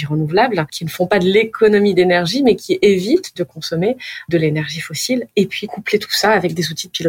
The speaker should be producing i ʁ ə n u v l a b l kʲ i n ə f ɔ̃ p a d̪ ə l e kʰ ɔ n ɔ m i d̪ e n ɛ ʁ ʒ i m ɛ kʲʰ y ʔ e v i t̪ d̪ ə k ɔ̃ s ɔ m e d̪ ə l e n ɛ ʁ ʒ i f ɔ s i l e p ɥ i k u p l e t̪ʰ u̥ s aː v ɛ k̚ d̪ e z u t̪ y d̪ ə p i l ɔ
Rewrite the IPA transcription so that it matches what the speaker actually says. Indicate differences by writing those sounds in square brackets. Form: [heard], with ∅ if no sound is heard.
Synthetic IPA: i ʁ ə n u v l a b l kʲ i n ə f ɔ̃ p a d̪ ə l e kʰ ɔ n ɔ m i d̪ e n ɛ ʁ ʒ i m ɛ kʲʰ [i] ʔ e v i t̪ d̪ ə k ɔ̃ s ɔ m e d̪ ə l e n ɛ ʁ ʒ i f ɔ s i l e p ɥ i k u p l e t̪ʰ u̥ s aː v ɛ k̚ d̪ e z u t̪ [i] d̪ ə p i l ɔ